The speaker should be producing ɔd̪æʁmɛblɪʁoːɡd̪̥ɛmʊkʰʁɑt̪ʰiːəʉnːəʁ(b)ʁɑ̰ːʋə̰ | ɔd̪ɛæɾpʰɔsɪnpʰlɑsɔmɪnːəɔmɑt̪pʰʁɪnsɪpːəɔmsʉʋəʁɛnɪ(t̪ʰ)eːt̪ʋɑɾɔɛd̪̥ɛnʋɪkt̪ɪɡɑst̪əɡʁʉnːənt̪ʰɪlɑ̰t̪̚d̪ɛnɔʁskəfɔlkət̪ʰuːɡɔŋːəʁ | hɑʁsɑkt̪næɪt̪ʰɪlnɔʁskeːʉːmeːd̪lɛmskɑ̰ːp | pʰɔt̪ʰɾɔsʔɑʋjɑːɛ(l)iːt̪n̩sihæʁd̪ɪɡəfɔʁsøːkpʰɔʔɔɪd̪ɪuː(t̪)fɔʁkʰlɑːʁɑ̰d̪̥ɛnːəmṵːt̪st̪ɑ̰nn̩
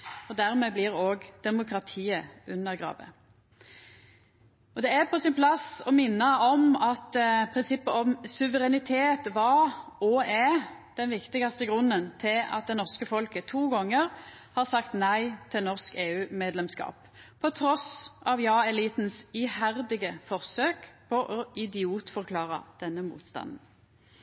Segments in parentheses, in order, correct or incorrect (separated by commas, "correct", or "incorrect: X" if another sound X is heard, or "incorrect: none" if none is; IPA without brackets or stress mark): incorrect: ɡ, correct, correct, correct